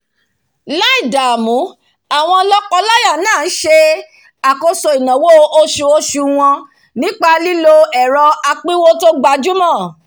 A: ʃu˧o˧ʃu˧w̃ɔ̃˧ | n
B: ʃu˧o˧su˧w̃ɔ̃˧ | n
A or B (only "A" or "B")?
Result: A